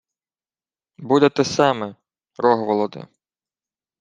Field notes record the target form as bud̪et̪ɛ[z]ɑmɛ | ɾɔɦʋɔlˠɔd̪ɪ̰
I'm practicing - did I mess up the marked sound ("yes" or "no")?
yes